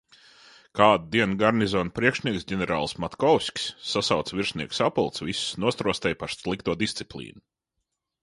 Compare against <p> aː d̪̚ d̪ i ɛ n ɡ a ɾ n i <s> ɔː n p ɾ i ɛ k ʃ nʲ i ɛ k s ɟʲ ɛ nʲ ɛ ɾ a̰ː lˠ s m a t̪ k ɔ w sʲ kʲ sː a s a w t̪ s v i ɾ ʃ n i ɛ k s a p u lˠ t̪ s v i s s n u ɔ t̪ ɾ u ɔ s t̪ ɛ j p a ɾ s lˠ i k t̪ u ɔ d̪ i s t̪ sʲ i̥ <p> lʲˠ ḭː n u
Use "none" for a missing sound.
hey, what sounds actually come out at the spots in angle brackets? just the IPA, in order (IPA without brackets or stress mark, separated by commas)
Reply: k, z, p